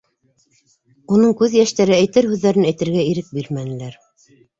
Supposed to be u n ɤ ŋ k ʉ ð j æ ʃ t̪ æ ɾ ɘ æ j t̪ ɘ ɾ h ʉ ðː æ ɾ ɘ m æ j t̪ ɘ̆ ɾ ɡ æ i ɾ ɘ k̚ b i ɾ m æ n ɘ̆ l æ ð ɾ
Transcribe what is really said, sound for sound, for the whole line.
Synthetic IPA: u n ɤ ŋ k ʉ ð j æ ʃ t̪ æ ɾ ɘ æ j t̪ ɘ ɾ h ʉ ðː æ ɾ ɘ n æ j t̪ ɘ̆ ɾ ɡ æ i ɾ ɘ k̚ b i ɾ m æ n ɘ̆ l æ ɾ